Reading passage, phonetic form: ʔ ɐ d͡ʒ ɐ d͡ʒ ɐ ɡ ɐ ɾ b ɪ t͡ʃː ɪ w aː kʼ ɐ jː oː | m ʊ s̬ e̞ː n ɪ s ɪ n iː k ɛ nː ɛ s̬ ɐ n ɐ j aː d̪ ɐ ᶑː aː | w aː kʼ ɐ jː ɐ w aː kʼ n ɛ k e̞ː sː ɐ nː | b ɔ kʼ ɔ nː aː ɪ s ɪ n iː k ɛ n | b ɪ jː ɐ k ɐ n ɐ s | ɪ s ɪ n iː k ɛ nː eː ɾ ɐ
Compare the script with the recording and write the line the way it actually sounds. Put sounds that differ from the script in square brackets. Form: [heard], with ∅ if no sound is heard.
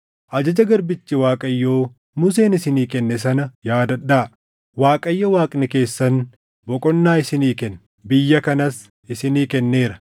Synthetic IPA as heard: ʔ ɐ d͡ʒ ɐ d͡ʒ ɐ ɡ ɐ ɾ b ɪ t͡ʃː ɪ w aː kʼ ɐ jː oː | m ʊ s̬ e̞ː n ɪ s ɪ n iː k ɛ nː ɛ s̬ ɐ n ɐ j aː d̪ ɐ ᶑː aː | w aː kʼ ɐ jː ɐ w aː kʼ n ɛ k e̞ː sː ɐ [n] | b ɔ kʼ ɔ nː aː ɪ s ɪ n iː k ɛ n | b ɪ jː ɐ k ɐ n ɐ s | ɪ s ɪ n iː k ɛ nː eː ɾ ɐ